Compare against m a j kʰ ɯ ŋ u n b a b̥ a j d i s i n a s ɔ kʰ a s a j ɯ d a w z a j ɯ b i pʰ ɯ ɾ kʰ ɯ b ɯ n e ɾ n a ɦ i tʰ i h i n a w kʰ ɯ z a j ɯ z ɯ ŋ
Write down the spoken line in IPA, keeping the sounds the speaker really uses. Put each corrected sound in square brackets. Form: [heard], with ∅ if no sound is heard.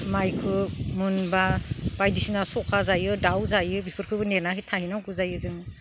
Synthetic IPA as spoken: m a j kʰ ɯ [m] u n b a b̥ a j d i s i n a s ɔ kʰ a [z] a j ɯ d a w z a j ɯ b i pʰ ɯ ɾ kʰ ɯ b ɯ n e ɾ n a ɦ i tʰ [a] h i n a w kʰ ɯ z a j ɯ z ɯ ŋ